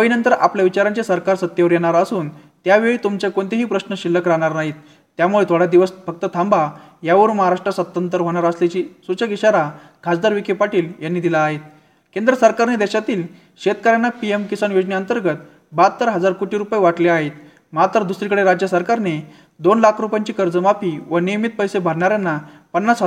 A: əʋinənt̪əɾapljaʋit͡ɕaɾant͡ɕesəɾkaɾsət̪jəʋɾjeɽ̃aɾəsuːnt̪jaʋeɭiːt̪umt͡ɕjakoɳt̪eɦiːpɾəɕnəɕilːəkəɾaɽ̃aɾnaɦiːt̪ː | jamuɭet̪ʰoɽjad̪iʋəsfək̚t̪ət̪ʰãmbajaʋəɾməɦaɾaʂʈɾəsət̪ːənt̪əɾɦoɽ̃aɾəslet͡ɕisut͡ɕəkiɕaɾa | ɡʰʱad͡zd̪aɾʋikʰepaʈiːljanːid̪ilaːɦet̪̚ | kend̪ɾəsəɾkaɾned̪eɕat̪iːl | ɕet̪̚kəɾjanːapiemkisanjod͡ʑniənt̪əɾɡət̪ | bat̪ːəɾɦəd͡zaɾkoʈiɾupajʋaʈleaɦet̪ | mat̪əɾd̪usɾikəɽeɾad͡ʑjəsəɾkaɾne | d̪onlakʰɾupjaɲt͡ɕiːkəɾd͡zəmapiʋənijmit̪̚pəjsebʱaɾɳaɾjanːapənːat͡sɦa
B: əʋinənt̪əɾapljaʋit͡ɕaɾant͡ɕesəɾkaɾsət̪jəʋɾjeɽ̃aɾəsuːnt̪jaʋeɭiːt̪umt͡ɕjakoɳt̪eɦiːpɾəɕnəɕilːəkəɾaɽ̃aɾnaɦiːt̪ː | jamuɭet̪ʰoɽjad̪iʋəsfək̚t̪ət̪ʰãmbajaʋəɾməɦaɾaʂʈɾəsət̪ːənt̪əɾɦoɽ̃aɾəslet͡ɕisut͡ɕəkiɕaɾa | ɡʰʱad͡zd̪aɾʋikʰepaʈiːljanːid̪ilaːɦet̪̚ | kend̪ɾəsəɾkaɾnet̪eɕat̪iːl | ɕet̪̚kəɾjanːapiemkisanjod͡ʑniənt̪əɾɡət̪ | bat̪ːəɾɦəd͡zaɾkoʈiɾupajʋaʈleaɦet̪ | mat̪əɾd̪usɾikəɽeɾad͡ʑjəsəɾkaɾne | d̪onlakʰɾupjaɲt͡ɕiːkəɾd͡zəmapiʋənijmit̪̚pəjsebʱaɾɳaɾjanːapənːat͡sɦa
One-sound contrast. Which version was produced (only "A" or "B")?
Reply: A